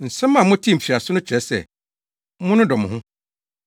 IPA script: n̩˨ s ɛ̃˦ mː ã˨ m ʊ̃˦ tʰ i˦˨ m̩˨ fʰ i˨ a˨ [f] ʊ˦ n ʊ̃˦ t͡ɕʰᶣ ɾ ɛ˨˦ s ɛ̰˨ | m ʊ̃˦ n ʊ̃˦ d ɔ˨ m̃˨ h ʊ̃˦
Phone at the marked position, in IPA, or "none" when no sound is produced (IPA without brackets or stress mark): s